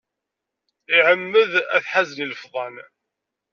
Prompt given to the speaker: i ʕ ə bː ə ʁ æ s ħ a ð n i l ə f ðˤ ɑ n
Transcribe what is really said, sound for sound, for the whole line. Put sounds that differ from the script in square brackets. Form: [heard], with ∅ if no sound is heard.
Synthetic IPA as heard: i ʕ ə [mː] ə [ð] æ [θ] ħ a [z] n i l ə f ðˤ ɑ n